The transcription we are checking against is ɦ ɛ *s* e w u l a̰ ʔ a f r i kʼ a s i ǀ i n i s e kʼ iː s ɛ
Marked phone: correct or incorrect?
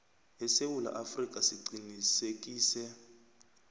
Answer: correct